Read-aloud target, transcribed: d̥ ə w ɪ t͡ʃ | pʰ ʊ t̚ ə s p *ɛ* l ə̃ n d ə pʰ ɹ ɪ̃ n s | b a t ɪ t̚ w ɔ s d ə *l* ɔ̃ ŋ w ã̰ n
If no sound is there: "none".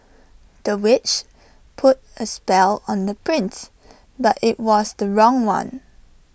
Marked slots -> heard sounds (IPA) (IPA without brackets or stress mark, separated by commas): ɛ, ɹ